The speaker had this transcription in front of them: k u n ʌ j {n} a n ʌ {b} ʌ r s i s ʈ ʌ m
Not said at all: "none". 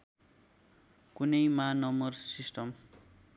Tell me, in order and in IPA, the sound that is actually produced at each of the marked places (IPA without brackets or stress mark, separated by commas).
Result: m, m